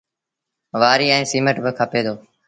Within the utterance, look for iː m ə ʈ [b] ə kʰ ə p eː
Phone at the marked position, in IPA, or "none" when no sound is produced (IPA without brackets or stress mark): b